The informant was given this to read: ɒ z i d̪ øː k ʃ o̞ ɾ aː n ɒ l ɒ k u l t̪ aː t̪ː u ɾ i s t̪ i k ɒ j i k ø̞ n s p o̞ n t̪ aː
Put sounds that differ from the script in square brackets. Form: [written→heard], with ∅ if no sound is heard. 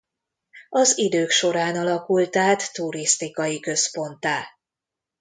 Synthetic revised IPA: ɒ z i d̪ øː k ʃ o̞ ɾ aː n ɒ l ɒ k u l t̪ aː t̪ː u ɾ i s t̪ i k ɒ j i k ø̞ [n→∅] s p o̞ n t̪ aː